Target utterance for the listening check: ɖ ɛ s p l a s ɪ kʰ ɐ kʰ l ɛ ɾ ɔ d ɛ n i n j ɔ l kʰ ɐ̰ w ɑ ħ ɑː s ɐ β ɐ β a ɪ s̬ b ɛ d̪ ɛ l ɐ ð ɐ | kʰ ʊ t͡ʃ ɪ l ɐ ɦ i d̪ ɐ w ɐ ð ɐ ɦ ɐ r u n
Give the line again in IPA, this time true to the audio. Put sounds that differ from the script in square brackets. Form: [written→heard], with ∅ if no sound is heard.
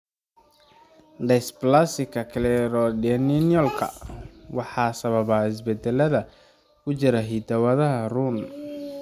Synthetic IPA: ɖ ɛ s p l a s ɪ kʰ ɐ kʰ l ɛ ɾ ɔ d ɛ n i n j ɔ l kʰ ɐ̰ w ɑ ħ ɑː s ɐ β ɐ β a ɪ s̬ b ɛ d̪ ɛ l ɐ ð ɐ | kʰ ʊ t͡ʃ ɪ [l→ɾ] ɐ ɦ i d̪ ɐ w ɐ ð ɐ ɦ ɐ r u n

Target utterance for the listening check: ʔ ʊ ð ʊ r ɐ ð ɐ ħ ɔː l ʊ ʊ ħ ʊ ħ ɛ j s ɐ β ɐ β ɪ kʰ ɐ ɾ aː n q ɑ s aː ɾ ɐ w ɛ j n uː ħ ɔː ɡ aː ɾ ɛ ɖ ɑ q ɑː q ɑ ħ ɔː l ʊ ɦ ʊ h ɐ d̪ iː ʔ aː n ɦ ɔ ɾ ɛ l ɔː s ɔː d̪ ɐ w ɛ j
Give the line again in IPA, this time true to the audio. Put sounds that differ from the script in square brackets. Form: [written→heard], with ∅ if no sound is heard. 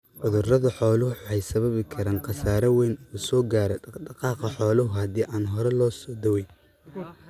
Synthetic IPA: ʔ ʊ ð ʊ r ɐ ð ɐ ħ ɔː l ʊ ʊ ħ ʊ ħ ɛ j s ɐ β ɐ β ɪ kʰ ɐ ɾ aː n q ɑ s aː ɾ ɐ w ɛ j n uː [ħ→s] ɔː ɡ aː ɾ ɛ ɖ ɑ q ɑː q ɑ ħ ɔː l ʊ ɦ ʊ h ɐ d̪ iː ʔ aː n ɦ ɔ ɾ ɛ l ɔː s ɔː d̪ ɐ w ɛ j

